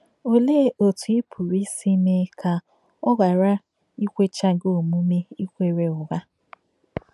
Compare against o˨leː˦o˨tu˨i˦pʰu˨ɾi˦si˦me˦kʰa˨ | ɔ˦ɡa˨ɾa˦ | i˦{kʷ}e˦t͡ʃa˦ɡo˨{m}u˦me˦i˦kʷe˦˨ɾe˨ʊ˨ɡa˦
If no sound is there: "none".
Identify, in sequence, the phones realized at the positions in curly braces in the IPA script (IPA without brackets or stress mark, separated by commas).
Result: kʷ, m